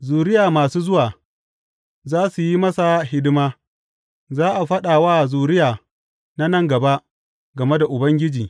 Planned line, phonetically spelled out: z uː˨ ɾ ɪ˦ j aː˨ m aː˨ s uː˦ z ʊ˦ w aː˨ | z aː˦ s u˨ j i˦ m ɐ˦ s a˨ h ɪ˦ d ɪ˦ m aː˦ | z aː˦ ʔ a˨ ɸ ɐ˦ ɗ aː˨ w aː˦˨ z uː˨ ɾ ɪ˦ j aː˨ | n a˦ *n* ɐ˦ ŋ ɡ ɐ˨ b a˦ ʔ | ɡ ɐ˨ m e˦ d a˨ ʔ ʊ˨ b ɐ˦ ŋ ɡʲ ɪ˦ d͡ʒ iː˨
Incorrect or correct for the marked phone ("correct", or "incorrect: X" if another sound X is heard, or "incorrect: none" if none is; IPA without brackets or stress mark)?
correct